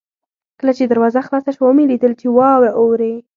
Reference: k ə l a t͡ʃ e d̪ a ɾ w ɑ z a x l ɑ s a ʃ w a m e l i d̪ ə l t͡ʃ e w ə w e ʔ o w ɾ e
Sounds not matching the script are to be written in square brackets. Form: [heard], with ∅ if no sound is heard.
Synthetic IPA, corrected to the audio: k ə l a t͡ʃ e d̪ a ɾ w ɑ z a x l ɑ s a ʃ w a m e l i d̪ ə l t͡ʃ e w [ɑ] w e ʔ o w ɾ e